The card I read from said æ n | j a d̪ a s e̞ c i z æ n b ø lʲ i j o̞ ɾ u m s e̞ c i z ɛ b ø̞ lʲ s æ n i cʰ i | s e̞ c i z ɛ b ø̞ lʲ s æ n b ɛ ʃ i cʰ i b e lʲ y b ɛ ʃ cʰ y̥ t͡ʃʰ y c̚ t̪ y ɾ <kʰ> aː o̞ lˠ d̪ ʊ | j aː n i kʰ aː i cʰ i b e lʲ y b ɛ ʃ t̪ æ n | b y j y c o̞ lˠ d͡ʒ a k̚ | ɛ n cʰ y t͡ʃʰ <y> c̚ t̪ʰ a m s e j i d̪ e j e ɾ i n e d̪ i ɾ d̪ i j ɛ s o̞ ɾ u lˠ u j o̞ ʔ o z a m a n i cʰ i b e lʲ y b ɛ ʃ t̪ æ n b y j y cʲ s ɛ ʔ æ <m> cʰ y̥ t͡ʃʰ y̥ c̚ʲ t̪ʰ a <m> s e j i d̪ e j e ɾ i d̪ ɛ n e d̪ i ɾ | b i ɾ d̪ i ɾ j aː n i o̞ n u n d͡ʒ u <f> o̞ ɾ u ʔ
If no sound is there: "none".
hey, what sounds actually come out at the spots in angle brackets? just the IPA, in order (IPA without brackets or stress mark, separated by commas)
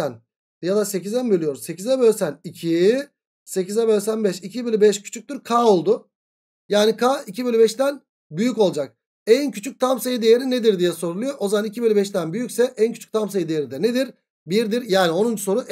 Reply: kʰ, y, n, m, s